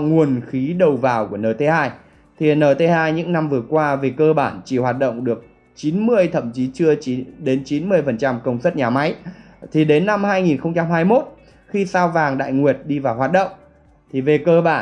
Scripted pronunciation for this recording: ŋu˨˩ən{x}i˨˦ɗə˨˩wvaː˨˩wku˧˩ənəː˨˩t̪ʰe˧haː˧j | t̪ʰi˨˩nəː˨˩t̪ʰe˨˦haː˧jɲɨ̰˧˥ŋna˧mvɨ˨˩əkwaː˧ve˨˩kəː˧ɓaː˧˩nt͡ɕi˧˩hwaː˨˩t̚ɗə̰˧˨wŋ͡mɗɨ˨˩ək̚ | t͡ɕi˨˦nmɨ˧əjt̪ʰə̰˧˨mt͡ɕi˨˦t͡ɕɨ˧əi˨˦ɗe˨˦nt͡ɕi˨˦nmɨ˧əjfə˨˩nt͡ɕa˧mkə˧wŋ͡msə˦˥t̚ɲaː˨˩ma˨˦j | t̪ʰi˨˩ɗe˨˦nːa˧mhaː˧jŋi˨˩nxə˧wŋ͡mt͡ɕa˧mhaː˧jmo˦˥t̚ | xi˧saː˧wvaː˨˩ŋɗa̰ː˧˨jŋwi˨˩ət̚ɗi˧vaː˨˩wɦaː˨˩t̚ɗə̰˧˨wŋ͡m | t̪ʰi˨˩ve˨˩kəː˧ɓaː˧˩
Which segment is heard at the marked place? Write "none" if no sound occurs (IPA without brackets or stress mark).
x